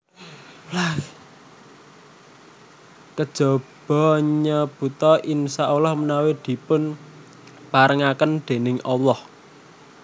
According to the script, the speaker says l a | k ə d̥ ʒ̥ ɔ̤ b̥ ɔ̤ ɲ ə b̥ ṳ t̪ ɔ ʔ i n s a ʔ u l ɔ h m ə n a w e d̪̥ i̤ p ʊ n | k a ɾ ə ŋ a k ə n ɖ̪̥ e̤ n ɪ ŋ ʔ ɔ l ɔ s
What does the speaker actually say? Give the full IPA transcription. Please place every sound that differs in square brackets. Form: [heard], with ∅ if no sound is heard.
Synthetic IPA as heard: l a | k ə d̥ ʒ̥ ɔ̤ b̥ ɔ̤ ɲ ə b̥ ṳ t̪ ɔ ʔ i n s a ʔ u l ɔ h m ə n a w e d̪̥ i̤ p ʊ n | [p] a ɾ ə ŋ a k ə n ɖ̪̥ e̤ n ɪ ŋ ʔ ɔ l ɔ [h]